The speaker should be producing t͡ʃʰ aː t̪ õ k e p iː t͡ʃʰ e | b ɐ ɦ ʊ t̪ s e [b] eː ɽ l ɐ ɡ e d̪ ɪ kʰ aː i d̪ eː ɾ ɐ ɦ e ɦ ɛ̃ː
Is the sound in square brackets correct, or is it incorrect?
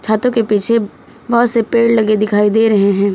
incorrect: p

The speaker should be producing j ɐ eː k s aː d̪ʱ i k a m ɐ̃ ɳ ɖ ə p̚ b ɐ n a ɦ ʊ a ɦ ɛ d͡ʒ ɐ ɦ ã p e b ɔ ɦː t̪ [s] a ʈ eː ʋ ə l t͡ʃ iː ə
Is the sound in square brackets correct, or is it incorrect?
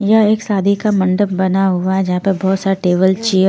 correct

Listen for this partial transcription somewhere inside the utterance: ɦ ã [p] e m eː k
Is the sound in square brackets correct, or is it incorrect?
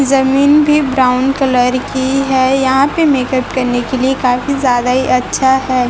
correct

